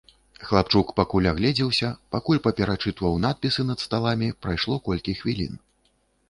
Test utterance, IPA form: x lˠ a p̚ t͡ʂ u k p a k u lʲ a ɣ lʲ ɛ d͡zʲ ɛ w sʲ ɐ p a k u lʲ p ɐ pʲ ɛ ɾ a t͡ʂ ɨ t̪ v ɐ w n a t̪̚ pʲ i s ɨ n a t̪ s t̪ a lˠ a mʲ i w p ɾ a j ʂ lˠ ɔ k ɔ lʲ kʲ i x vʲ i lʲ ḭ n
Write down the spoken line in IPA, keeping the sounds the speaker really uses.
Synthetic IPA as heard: x lˠ a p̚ t͡ʂ u k p a k u lʲ a ɣ lʲ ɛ d͡zʲ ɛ w sʲ ɐ p a k u lʲ p ɐ pʲ ɛ ɾ a t͡ʂ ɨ t̪ v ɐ w n a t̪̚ pʲ i s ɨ n ɐ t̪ s t̪ a lˠ a mʲ i p ɾ a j ʂ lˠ ɔ k ɔ lʲ kʲ i x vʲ i lʲ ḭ n